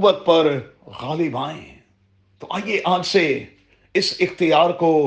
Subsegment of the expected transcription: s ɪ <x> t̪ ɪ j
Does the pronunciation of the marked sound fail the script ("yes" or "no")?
no